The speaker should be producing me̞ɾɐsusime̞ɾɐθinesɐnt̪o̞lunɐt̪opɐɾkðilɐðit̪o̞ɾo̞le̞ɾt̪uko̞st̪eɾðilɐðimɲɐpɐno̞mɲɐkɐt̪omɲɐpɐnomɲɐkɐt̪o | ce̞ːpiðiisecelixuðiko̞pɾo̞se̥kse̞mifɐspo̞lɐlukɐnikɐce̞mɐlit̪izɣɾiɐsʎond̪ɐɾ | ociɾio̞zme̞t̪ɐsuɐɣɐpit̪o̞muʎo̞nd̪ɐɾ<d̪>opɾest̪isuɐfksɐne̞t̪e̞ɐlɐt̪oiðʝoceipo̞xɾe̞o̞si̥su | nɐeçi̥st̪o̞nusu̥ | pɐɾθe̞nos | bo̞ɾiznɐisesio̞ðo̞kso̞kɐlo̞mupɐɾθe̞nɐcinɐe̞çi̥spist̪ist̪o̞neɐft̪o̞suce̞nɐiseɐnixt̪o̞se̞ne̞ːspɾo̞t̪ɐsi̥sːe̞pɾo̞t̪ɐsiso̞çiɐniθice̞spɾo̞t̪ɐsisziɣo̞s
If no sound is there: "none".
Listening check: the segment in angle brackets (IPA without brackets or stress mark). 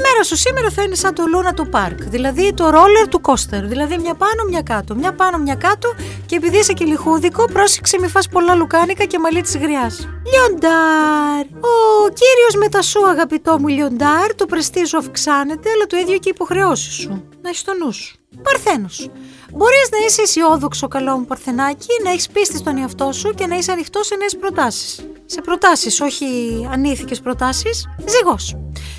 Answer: t̪